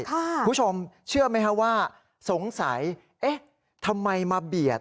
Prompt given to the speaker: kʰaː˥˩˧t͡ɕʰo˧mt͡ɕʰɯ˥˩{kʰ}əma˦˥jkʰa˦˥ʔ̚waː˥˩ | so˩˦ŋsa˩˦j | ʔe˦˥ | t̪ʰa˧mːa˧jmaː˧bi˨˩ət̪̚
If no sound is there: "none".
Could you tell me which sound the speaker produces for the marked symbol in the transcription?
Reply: none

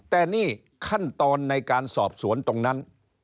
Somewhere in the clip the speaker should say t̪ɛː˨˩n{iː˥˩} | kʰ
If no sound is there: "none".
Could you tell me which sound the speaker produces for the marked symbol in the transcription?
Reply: iː˥˩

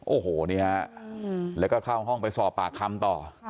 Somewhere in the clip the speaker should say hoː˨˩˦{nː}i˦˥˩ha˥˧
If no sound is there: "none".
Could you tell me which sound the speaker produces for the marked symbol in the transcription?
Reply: n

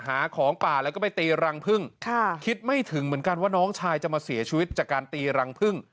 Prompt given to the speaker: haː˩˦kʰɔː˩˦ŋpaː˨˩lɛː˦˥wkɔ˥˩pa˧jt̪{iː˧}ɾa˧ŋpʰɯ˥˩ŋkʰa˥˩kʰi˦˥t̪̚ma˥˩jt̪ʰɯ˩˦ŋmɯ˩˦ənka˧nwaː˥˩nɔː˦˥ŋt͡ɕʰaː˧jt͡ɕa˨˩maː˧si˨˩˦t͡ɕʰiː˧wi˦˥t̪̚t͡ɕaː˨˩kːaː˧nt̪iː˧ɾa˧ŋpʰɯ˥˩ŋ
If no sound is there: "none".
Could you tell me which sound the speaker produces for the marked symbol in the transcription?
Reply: iː˧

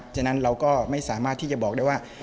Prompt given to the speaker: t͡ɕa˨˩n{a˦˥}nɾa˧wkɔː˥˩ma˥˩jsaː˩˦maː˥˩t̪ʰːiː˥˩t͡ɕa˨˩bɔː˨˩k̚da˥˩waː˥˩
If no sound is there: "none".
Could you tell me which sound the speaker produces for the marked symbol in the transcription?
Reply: a˦˥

